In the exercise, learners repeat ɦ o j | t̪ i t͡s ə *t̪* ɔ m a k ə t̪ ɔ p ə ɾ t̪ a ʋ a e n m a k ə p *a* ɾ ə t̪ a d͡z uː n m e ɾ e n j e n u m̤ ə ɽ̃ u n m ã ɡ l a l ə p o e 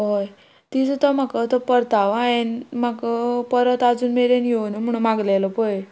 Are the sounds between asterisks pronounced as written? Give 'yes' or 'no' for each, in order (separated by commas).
yes, no